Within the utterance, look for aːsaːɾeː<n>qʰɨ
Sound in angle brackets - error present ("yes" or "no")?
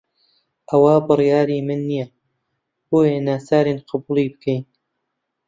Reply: no